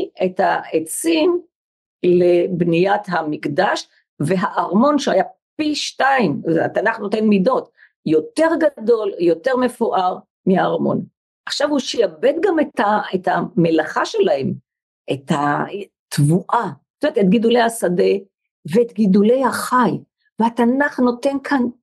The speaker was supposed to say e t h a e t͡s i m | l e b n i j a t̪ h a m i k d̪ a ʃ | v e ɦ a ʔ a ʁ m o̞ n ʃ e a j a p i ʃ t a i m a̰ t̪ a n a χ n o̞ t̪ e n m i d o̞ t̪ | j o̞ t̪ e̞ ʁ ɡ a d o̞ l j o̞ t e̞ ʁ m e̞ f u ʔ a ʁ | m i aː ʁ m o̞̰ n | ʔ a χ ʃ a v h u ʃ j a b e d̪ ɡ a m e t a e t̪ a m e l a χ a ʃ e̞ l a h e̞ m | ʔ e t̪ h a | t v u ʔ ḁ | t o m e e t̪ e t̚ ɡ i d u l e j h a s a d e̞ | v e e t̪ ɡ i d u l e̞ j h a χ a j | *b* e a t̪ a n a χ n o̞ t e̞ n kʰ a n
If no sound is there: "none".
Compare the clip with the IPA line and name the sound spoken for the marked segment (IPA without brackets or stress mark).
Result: v